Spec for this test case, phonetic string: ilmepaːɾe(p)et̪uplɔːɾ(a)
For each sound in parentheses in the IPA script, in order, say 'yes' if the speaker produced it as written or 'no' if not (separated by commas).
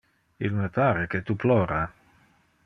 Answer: no, yes